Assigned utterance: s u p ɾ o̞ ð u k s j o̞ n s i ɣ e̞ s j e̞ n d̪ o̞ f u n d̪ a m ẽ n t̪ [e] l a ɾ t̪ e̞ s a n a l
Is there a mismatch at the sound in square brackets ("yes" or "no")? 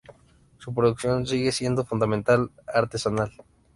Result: yes